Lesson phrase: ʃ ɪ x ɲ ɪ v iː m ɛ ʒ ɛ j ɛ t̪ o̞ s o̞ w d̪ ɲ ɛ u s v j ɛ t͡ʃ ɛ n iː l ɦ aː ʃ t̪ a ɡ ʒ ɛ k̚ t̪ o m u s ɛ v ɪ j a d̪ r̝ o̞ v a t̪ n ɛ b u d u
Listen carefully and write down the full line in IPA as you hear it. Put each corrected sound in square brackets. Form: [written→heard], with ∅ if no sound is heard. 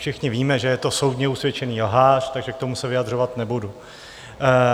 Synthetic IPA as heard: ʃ ɪ x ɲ ɪ v iː m ɛ ʒ ɛ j ɛ t̪ o̞ s o̞ w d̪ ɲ ɛ u s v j ɛ t͡ʃ ɛ n iː l ɦ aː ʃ t̪ a ɡ ʒ ɛ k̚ t̪ o m u s ɛ v ɪ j a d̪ r̝ o̞ v a t̪ n ɛ b u d u